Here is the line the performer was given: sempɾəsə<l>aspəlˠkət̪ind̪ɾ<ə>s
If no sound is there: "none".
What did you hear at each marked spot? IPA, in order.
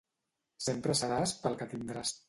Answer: ɾ, a

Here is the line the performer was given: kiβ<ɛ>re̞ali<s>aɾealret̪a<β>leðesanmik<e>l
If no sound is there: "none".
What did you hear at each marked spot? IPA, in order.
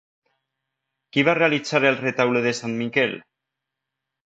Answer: a, t͡s, w, e

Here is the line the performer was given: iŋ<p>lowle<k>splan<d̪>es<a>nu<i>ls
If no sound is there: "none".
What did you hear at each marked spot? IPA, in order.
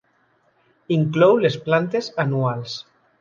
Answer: k, none, t̪, a, a

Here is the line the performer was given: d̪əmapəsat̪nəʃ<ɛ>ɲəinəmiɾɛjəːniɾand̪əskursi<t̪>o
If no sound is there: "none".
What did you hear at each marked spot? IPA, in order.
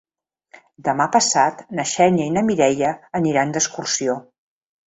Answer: ɛ, none

